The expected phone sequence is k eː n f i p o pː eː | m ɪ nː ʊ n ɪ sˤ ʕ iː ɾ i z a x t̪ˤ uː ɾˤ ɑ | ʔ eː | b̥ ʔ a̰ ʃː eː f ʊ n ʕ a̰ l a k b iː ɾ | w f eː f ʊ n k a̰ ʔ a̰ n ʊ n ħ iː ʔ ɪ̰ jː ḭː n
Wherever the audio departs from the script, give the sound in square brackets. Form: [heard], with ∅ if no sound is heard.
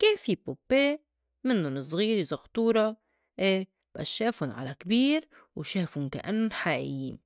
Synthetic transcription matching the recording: k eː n f i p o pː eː | m ɪ nː ʊ n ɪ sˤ [ɣ] iː ɾ i z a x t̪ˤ uː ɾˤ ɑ | ʔ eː | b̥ ʔ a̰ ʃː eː f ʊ n ʕ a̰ l a k b iː ɾ | w [ʃ] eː f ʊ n k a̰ ʔ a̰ [nː] ʊ n ħ [aː] ʔ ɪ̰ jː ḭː n